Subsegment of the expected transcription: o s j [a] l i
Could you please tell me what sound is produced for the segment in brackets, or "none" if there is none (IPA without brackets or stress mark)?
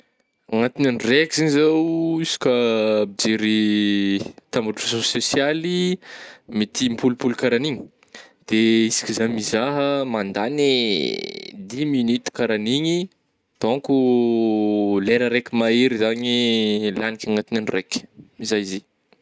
a